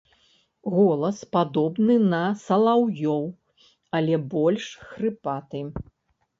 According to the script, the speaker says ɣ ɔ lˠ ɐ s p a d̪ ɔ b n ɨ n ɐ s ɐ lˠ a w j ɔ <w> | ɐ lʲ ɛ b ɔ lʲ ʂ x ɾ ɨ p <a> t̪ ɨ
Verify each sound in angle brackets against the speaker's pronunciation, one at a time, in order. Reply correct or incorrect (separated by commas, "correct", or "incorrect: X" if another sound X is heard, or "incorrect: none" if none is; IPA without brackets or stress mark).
correct, correct